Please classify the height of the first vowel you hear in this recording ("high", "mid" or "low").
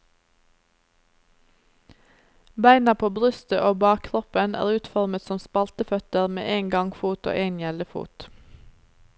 low